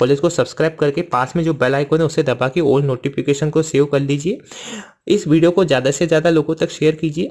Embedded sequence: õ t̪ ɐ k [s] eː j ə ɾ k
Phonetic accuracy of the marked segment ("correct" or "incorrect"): incorrect